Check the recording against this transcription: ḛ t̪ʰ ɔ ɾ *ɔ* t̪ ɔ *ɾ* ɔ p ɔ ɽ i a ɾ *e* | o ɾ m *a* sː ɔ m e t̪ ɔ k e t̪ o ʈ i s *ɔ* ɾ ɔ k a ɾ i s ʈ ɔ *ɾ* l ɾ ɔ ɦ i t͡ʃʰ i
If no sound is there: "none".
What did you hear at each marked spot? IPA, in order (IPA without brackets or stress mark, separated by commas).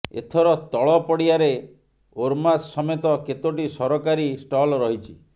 ɔ, ɭ, e, a, ɔ, none